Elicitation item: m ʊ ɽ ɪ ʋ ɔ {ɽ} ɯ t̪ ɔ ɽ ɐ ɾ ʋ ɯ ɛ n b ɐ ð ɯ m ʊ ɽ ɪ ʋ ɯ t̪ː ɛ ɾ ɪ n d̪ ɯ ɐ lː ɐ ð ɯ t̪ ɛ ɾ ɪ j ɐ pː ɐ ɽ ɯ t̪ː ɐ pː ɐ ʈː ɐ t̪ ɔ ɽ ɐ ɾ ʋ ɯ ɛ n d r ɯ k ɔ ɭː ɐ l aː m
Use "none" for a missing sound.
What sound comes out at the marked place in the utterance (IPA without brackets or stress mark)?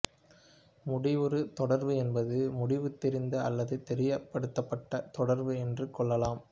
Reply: ɾ